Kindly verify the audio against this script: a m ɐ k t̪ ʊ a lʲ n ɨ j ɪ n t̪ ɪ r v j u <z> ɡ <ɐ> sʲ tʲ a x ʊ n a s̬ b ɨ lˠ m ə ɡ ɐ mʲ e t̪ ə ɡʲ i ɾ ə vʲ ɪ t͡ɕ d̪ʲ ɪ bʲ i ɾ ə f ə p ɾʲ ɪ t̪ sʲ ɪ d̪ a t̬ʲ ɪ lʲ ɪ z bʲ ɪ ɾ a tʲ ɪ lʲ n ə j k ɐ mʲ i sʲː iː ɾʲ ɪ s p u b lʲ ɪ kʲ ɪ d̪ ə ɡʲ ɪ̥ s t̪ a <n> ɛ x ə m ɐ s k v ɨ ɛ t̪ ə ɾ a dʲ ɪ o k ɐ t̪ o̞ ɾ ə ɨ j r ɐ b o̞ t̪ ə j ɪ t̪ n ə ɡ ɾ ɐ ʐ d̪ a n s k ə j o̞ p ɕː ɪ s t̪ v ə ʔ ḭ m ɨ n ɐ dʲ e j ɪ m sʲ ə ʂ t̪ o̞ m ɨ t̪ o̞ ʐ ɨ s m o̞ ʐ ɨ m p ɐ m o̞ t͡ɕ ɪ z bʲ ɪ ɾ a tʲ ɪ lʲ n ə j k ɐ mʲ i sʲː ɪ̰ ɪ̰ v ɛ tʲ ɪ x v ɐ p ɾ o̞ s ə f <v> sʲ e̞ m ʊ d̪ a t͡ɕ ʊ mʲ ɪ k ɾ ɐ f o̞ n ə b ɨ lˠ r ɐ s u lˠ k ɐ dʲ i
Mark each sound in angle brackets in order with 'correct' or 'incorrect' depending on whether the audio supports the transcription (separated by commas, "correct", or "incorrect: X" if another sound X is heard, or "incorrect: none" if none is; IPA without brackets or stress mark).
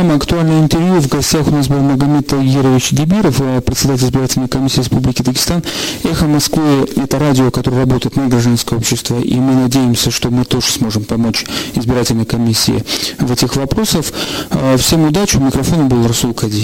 incorrect: v, correct, correct, incorrect: f